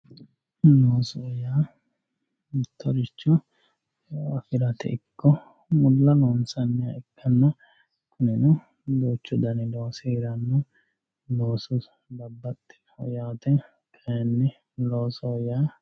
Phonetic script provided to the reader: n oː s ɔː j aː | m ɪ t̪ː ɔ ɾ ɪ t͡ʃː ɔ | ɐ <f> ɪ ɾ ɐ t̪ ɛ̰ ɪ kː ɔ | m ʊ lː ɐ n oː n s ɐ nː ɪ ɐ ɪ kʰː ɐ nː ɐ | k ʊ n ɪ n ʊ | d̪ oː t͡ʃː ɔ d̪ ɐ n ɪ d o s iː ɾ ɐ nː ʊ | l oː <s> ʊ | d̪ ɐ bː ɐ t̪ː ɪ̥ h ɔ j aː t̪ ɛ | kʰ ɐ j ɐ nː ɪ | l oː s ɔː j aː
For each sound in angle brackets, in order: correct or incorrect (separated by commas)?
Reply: correct, correct